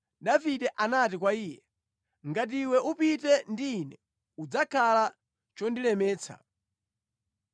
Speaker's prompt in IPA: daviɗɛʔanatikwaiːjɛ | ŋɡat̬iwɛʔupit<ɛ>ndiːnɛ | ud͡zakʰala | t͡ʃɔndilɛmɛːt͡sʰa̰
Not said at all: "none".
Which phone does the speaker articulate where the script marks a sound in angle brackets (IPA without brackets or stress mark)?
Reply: ɛ